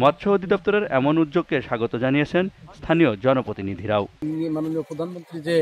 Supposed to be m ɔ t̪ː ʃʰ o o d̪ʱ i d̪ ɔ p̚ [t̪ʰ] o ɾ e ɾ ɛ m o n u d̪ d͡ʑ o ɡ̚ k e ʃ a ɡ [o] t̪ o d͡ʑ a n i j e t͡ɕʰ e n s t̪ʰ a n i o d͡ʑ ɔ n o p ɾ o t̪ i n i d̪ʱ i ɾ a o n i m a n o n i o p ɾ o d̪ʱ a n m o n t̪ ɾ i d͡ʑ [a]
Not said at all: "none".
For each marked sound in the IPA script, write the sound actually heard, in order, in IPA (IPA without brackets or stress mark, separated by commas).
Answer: t̪, o, e